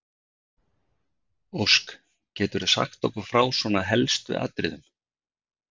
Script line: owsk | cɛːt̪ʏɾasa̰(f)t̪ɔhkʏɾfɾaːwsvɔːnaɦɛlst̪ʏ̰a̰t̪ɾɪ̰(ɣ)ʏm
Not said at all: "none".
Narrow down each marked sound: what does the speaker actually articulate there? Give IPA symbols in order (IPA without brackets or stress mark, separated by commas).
x, ð